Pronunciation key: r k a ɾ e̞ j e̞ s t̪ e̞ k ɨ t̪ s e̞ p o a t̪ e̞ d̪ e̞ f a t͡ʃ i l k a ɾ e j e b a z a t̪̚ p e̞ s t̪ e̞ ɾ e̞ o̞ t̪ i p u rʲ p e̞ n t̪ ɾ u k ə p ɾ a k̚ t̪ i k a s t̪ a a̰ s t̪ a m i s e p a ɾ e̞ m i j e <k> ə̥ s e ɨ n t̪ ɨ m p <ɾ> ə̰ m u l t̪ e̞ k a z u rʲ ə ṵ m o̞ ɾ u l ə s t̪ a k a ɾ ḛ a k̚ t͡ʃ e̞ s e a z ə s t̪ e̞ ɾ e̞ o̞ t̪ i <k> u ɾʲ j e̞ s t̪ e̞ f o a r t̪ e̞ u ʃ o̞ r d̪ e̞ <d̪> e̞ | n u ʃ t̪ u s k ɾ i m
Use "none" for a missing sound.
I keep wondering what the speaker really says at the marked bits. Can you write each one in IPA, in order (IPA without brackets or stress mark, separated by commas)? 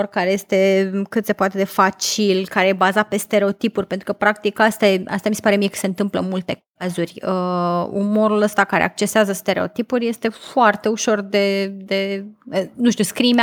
k, l, p, d̪